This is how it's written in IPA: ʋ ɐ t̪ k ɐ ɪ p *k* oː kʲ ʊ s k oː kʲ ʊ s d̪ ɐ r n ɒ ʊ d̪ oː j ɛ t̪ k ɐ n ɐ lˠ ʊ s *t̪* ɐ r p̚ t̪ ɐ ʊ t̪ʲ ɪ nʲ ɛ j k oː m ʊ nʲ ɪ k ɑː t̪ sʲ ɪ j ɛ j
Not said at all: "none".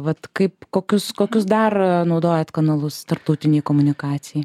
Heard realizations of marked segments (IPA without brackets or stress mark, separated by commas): k, t̪